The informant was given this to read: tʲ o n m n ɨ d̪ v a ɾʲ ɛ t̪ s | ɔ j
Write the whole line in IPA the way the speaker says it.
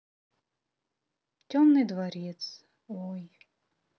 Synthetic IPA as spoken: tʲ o m n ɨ d̪ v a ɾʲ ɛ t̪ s | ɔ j